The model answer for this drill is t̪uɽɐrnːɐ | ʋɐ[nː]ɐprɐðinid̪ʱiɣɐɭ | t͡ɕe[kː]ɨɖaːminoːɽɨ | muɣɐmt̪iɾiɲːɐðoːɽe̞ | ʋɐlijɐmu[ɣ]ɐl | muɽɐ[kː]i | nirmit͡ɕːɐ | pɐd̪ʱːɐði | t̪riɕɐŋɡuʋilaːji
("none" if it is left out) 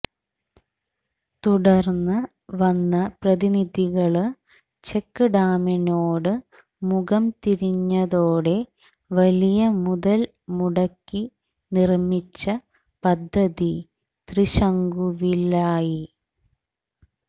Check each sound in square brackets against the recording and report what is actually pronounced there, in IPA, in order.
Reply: nː, kː, ð, kː

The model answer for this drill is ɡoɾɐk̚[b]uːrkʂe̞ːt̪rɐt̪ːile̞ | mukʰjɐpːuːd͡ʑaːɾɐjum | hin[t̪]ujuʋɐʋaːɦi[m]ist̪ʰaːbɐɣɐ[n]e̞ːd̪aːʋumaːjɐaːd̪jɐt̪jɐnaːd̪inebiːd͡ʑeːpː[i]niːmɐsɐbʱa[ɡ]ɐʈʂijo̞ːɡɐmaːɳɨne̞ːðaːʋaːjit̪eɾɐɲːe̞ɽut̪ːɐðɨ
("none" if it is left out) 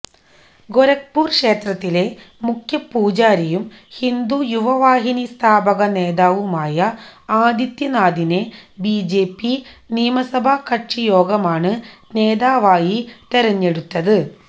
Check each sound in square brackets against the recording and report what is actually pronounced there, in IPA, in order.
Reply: p, d̪, n, n, i, k

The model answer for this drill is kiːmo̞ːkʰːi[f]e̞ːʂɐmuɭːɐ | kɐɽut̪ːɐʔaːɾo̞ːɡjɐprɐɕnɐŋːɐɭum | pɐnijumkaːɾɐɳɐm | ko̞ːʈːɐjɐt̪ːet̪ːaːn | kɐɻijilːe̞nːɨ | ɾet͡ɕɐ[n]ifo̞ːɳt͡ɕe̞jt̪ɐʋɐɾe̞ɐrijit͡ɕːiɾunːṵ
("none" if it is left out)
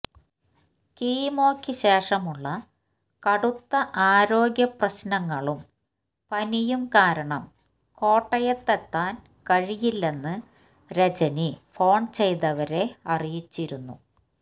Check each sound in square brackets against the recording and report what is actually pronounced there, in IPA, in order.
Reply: ɕ, n

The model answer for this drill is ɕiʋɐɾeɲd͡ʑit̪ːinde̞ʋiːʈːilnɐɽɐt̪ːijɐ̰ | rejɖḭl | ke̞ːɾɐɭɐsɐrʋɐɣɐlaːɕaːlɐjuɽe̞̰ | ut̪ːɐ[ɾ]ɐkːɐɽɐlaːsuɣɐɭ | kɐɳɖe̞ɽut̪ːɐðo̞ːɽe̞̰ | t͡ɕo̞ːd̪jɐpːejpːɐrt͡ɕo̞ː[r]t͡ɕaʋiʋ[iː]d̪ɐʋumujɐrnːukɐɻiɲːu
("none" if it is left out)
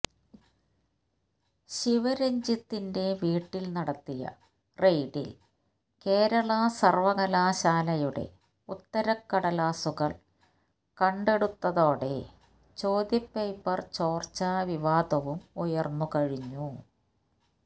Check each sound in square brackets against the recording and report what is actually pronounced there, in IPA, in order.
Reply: ɾ, r, aː

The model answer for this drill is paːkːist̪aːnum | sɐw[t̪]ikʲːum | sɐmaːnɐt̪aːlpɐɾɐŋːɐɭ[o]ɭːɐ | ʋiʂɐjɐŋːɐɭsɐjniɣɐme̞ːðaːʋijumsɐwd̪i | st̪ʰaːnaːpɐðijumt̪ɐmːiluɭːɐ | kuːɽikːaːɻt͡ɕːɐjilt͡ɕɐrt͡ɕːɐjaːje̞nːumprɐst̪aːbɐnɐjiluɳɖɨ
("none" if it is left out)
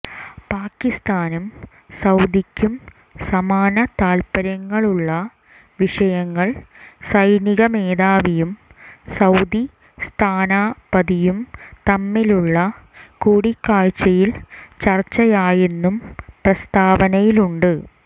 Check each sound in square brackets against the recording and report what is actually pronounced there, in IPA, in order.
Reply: d̪, u

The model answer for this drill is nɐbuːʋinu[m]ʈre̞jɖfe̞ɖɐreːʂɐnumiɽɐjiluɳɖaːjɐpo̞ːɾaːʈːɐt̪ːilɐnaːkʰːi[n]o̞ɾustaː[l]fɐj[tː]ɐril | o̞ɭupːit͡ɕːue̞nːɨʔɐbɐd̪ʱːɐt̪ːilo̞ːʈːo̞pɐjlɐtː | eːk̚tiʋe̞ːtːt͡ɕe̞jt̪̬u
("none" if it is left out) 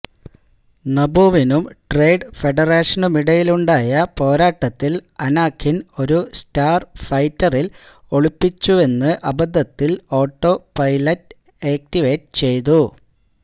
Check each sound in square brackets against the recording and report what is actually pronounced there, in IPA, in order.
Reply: m, n, r, tː

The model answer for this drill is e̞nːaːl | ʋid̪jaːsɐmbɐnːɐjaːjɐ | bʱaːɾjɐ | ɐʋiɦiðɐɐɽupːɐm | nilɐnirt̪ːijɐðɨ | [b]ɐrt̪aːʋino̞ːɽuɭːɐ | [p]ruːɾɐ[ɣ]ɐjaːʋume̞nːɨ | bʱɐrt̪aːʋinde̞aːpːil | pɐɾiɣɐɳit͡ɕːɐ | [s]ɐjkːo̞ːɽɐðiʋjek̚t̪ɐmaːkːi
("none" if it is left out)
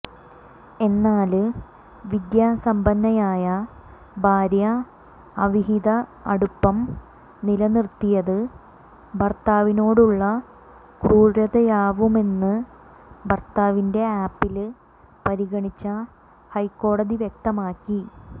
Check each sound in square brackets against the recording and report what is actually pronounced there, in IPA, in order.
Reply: b, k, ð, h

